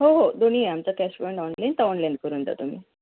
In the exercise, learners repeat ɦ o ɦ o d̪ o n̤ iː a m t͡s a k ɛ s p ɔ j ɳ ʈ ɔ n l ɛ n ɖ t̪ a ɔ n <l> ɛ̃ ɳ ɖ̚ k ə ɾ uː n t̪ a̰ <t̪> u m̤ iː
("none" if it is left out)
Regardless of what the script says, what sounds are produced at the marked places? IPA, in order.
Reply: l, t̪

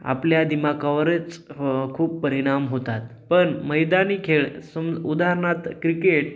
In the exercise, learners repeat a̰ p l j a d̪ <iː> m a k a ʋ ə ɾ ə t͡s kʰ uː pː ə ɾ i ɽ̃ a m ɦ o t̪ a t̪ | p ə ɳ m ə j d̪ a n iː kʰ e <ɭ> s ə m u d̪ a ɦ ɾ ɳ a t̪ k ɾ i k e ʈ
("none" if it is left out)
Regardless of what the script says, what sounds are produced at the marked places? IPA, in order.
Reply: i, ɭ

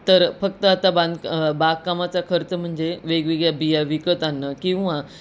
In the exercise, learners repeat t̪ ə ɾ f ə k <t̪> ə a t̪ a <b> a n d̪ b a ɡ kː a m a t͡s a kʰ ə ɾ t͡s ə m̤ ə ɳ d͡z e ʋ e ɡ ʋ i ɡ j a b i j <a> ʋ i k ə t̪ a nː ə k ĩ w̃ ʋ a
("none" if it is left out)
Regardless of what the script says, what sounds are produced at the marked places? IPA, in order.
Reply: t̪, b, a

